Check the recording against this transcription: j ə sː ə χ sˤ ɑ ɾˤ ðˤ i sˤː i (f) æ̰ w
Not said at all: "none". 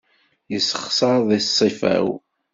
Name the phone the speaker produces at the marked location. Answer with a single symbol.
f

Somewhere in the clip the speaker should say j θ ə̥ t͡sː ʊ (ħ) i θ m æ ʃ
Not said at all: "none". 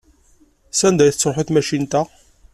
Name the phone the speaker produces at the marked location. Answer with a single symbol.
ħ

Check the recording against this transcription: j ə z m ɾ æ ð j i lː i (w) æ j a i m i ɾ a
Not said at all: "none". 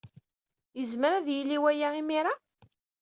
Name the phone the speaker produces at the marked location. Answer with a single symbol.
w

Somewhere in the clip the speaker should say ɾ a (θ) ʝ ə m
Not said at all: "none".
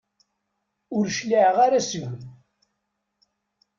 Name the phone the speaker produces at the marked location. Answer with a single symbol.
s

